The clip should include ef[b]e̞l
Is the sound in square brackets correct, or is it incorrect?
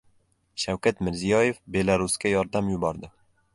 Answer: correct